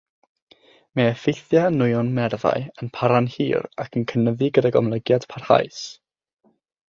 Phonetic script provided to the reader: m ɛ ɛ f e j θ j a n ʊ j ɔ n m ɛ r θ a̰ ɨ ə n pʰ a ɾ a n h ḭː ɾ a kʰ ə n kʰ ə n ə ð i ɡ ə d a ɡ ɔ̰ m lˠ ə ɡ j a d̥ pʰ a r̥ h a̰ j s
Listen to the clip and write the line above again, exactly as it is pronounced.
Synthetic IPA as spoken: m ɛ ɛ f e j θ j a n ʊ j ɔ n m ɛ r ð a̰ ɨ ə n pʰ a ɾ a n h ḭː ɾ a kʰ ə n kʰ ə n ə ð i ɡ ə d a ɡ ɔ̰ m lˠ ə ɡ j a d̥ pʰ a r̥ h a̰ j s